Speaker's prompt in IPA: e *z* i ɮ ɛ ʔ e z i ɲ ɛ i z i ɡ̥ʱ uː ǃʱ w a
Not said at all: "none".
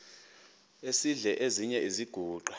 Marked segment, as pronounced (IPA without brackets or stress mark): s